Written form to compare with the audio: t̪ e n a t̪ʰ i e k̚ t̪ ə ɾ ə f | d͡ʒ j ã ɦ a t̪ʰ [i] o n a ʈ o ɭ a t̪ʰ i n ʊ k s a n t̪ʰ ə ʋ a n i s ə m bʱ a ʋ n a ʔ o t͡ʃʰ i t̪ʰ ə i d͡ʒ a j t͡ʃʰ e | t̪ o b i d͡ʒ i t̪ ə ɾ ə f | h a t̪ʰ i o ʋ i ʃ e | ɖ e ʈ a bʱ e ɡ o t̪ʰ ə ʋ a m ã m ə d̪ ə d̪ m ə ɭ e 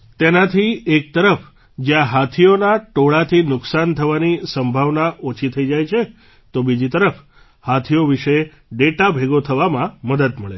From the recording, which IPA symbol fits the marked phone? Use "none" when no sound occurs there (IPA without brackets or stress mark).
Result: i